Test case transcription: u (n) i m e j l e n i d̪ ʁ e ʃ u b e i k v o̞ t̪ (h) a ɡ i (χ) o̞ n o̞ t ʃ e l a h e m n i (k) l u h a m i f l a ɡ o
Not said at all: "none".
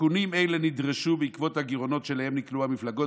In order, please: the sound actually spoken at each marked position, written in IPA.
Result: n, h, ʁ, k

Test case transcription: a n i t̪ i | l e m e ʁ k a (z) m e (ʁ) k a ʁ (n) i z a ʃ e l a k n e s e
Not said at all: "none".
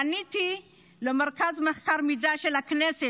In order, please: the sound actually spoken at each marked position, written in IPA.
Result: z, χ, m

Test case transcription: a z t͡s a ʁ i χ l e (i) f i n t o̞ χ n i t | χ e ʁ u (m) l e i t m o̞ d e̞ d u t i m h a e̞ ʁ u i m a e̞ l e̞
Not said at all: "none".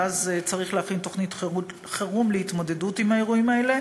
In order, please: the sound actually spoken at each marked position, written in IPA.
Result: a, m

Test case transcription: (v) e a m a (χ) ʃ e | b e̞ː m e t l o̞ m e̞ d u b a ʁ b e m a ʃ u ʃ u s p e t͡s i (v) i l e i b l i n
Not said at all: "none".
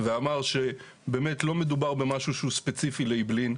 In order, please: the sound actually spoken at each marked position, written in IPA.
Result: v, ʁ, f

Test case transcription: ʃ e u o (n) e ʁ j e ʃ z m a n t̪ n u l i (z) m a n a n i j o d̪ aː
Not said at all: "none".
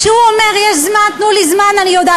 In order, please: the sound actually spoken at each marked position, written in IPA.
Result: m, z

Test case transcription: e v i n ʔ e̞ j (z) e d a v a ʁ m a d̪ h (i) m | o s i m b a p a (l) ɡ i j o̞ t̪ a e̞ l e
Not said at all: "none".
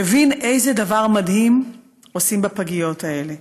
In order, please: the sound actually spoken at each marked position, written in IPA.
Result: z, i, none

